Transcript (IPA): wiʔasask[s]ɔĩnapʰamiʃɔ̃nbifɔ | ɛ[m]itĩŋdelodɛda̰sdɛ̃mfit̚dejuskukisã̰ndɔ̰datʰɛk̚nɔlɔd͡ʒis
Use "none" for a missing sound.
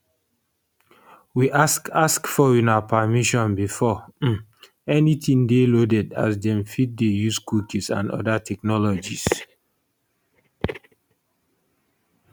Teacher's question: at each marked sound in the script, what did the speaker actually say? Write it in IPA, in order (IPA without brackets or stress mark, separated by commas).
f, n